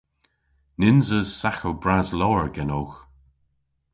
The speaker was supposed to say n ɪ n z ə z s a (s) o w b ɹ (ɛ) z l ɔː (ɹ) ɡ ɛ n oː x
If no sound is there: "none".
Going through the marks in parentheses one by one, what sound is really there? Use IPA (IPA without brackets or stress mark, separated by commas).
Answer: x, a, ɹ